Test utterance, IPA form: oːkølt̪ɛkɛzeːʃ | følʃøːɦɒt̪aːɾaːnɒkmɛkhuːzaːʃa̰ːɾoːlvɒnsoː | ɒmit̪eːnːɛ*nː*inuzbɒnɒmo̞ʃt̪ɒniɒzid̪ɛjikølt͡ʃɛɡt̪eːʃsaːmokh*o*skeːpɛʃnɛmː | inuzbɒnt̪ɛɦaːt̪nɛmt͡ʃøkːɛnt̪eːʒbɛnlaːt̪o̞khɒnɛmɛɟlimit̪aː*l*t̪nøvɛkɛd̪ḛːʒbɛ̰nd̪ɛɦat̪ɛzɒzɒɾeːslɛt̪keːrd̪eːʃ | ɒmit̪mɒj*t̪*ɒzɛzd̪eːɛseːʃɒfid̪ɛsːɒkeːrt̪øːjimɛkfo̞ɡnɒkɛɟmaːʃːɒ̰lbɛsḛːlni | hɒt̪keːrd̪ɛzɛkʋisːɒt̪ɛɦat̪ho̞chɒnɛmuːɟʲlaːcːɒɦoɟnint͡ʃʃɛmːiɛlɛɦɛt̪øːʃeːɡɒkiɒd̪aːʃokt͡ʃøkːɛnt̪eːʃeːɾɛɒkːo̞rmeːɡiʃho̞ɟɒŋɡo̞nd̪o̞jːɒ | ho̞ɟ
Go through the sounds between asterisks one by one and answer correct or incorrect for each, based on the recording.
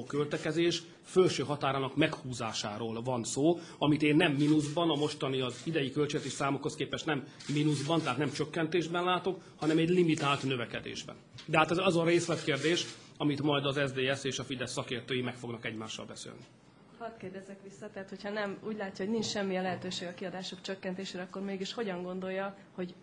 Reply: incorrect, correct, correct, incorrect

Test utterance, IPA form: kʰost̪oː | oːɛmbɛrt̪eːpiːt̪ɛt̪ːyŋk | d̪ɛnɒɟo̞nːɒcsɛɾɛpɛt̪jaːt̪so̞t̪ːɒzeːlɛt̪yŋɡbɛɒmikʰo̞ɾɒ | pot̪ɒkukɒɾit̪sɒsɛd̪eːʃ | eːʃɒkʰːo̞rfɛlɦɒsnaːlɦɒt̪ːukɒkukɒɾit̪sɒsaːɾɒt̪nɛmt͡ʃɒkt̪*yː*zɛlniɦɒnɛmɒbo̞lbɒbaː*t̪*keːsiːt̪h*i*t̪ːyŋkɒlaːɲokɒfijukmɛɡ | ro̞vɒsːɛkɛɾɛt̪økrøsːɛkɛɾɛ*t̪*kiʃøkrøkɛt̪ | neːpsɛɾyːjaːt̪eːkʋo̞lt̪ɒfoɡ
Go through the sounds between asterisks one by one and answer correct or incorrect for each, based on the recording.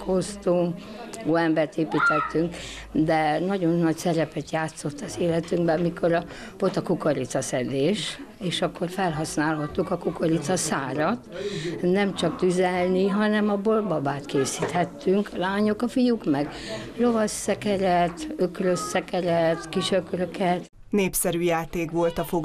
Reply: incorrect, correct, incorrect, correct

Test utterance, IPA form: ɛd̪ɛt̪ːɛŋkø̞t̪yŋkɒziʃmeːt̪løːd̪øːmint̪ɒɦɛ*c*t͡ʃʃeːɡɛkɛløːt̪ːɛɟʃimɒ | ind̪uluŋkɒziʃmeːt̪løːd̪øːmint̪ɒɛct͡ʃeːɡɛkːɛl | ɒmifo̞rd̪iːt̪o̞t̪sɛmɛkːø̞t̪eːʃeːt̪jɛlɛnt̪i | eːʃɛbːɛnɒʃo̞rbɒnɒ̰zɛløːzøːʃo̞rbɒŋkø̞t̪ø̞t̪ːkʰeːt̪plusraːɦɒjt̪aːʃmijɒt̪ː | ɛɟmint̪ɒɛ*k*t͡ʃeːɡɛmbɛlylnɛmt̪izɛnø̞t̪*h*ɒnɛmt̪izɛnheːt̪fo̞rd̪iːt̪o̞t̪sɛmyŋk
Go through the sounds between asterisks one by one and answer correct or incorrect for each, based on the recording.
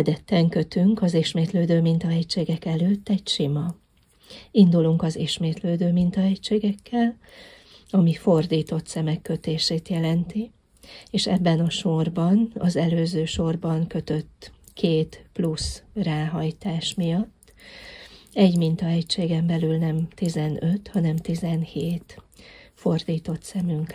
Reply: correct, incorrect, correct

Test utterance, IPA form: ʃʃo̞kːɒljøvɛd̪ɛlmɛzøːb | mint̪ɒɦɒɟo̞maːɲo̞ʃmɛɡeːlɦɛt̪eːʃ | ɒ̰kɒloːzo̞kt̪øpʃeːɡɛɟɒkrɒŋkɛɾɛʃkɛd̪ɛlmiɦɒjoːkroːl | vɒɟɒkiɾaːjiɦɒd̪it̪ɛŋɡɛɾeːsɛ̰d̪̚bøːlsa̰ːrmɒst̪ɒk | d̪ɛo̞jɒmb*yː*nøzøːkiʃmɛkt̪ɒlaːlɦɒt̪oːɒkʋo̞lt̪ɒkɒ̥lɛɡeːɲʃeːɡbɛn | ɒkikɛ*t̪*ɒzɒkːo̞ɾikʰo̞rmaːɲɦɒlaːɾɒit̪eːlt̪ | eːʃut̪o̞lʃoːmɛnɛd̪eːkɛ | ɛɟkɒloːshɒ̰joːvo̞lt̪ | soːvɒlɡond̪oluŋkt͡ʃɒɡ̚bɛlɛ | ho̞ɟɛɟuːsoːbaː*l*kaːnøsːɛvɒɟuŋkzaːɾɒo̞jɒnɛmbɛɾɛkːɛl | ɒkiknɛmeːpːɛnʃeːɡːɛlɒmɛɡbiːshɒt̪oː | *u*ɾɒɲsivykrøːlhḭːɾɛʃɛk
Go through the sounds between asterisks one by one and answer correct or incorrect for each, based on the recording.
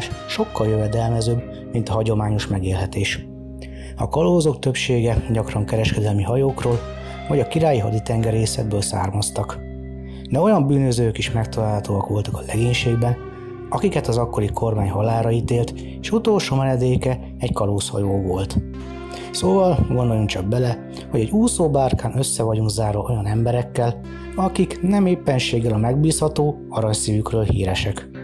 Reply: correct, correct, incorrect, incorrect

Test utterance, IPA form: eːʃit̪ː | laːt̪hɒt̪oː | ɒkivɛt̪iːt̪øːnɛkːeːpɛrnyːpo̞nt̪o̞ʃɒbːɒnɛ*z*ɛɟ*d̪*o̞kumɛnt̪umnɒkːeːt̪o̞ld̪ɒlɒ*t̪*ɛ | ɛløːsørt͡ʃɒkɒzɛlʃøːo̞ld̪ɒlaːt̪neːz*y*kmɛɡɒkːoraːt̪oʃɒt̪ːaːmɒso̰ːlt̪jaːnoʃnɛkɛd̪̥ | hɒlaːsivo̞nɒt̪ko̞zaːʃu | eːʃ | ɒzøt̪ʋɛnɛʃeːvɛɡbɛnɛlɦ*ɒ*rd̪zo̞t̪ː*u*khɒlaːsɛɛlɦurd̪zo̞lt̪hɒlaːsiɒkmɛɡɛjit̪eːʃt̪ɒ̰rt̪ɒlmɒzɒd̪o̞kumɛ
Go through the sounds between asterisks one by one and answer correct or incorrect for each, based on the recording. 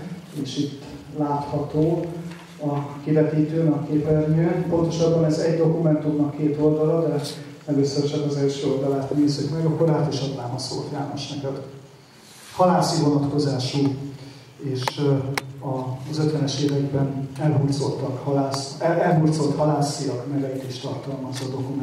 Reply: correct, correct, incorrect, correct, incorrect, incorrect

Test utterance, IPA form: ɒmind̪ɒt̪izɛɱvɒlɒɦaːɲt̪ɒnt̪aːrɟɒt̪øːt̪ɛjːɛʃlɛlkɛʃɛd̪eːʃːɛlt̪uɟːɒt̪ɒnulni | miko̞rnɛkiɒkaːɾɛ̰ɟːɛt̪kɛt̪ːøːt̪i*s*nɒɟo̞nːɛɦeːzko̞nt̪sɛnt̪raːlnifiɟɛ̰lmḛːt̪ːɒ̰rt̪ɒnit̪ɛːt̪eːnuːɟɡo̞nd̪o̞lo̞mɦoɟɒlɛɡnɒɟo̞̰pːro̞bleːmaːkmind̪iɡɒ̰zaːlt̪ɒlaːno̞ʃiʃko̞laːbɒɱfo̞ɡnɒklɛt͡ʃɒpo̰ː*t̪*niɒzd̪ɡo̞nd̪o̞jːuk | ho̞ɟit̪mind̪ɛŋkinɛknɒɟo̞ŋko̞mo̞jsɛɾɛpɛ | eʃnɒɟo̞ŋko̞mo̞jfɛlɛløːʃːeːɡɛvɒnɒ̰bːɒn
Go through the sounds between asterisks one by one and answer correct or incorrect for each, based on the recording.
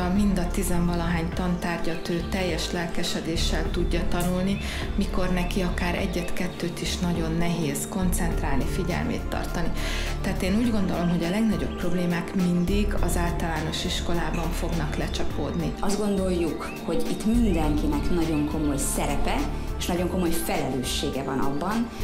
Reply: incorrect, incorrect

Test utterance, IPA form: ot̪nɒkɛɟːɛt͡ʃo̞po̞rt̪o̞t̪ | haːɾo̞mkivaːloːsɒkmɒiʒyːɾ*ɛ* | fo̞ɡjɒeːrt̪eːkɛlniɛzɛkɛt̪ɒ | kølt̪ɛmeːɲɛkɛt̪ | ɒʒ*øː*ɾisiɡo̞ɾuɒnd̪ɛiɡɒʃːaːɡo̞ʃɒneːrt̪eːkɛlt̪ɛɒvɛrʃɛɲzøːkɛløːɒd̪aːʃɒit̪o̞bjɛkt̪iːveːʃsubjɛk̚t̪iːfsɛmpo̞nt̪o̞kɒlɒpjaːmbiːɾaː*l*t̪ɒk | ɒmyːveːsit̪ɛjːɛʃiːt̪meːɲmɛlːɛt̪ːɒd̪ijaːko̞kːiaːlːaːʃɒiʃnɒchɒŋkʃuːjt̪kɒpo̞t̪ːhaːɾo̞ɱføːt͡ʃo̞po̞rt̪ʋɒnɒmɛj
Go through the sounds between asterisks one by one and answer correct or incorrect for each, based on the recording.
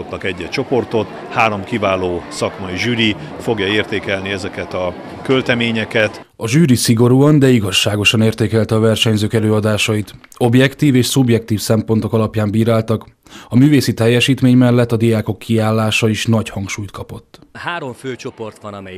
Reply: incorrect, incorrect, correct

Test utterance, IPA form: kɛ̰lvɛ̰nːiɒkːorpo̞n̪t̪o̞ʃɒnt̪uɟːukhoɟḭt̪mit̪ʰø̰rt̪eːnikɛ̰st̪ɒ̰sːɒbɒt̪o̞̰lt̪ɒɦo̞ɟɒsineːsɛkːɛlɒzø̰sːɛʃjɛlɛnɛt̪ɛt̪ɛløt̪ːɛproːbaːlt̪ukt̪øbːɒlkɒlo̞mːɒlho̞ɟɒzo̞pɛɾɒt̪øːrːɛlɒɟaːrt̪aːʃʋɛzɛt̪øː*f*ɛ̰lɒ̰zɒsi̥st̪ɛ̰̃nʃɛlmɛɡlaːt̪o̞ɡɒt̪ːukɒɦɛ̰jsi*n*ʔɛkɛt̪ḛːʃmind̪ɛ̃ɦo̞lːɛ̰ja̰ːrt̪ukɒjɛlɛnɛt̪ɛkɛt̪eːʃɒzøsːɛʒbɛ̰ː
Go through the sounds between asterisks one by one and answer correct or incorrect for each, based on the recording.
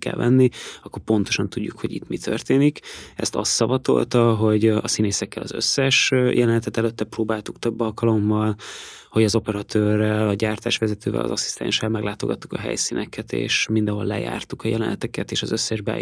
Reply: incorrect, correct

